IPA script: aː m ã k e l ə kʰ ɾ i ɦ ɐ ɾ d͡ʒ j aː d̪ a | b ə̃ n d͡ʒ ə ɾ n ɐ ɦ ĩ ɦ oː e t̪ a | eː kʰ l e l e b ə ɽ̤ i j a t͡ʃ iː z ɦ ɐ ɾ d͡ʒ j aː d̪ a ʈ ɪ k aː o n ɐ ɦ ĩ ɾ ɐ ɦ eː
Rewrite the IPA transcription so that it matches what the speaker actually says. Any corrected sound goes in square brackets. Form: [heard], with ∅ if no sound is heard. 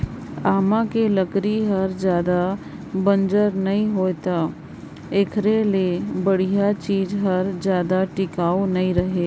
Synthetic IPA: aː m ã k e l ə [k] ɾ i ɦ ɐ ɾ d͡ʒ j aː d̪ a | b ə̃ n d͡ʒ ə ɾ n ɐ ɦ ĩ ɦ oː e t̪ a | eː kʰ [ɾ] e l e b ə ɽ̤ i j a t͡ʃ iː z ɦ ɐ ɾ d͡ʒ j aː d̪ a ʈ ɪ k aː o n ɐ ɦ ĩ ɾ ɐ ɦ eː

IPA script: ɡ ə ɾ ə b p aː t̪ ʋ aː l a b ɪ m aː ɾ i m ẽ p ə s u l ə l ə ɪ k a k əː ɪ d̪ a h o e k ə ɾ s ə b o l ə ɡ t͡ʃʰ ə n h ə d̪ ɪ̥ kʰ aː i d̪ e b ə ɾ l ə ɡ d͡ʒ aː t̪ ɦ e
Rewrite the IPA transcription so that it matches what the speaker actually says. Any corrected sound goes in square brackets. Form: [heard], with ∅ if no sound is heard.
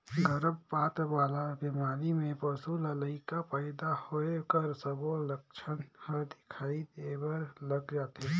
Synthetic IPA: ɡ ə ɾ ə b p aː t̪ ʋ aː l a b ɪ m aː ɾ i m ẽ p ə s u l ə l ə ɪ k a [p] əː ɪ d̪ a h o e k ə ɾ s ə b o l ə [k] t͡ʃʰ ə n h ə d̪ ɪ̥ kʰ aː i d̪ e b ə ɾ l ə ɡ d͡ʒ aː t̪ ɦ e

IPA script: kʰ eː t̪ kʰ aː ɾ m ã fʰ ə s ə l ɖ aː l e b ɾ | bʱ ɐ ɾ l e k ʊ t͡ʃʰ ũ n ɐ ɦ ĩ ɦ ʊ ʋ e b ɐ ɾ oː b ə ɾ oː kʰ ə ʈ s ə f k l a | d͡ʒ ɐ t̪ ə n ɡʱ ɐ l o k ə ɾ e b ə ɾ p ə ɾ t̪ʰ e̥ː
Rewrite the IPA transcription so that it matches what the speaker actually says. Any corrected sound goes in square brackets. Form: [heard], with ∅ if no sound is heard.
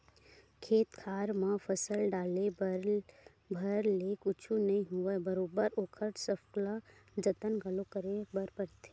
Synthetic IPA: kʰ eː t̪ kʰ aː ɾ m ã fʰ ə s ə l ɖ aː l e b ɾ | bʱ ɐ ɾ l e k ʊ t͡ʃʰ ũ n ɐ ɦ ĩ ɦ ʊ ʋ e b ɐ ɾ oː b ə ɾ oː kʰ ə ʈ s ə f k l a | d͡ʒ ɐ t̪ ə n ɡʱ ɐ l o k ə ɾ e b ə ɾ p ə ɾ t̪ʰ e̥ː

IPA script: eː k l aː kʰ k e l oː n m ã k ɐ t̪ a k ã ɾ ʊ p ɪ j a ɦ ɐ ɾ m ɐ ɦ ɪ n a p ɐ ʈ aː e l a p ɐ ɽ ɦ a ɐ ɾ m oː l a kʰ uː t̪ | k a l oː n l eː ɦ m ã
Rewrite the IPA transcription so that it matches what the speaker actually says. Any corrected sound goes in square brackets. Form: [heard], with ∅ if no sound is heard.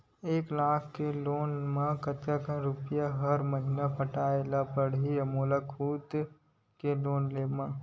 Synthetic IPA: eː k l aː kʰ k e l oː n m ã k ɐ t̪ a k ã ɾ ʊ p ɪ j a ɦ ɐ ɾ m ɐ ɦ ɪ n a p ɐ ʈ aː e l a p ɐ ɽ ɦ [i] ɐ [∅] m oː l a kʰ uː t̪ | k [e] l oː n l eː [∅] m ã

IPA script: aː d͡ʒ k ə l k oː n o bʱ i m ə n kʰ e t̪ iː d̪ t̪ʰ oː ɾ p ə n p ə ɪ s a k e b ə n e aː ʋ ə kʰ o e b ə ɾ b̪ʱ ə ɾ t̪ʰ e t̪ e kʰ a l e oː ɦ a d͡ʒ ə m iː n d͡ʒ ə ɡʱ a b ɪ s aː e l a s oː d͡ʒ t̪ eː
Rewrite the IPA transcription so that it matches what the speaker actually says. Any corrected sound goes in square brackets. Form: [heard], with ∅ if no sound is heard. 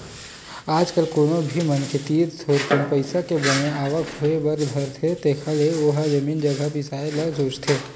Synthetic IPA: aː d͡ʒ k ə l k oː n o bʱ i m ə n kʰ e t̪ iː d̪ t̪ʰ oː ɾ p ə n p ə ɪ s a k e b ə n e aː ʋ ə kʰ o e b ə ɾ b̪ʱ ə ɾ t̪ʰ e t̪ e kʰ a l e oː ɦ a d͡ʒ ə m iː n d͡ʒ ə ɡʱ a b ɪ s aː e l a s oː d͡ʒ [t̪ʰ] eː

